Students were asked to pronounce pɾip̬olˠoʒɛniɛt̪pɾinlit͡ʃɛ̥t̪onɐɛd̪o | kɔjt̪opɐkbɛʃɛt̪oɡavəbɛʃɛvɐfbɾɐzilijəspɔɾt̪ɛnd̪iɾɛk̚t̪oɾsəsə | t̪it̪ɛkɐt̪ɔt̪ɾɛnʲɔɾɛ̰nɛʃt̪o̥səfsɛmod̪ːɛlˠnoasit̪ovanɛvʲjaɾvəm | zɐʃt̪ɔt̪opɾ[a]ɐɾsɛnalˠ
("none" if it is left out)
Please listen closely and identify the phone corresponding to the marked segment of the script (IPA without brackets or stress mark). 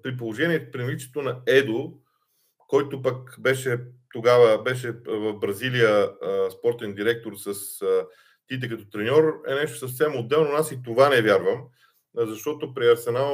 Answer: i